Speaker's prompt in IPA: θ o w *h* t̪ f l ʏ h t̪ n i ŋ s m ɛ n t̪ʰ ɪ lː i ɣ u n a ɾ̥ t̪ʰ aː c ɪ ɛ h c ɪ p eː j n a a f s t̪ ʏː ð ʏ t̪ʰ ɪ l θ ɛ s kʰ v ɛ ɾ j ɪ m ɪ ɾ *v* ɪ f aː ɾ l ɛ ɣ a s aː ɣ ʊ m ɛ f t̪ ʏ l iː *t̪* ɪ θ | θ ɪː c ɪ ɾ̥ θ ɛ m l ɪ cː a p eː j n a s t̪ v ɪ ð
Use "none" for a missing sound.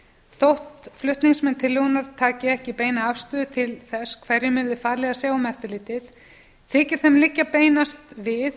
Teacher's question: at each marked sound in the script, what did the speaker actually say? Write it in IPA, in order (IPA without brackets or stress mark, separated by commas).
h, ð, t̪